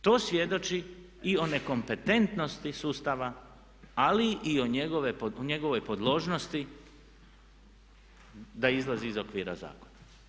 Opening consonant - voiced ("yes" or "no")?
no